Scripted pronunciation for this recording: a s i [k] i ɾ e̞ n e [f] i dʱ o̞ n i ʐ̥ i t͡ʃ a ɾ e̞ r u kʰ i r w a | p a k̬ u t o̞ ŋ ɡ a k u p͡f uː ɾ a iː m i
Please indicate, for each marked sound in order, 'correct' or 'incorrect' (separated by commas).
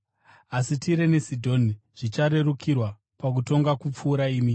incorrect, incorrect